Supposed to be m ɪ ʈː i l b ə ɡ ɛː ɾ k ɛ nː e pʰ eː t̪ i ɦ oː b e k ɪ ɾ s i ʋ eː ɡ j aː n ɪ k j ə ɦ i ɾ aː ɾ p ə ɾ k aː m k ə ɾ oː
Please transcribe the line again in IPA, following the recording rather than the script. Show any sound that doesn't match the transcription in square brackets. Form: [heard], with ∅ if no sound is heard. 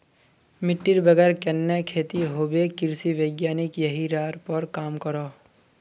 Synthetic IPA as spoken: m ɪ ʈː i [ɾ] b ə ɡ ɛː ɾ k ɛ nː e [kʰ] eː t̪ i ɦ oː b e k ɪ ɾ s i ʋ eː ɡ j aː n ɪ k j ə ɦ i ɾ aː ɾ p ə ɾ k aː m k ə ɾ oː